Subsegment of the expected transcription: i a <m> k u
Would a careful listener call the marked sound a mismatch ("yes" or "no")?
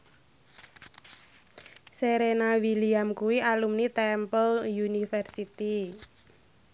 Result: no